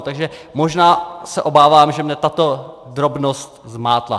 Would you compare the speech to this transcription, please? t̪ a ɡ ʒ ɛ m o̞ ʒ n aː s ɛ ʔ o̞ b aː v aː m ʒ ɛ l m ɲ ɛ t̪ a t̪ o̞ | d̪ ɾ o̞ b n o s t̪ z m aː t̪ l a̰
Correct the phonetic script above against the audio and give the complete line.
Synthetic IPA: t̪ a ɡ ʒ ɛ m o̞ ʒ n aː s ɛ ʔ o̞ b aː v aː m ʒ ɛ m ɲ ɛ t̪ a t̪ o̞ | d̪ ɾ o̞ b n o s t̪ z m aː t̪ l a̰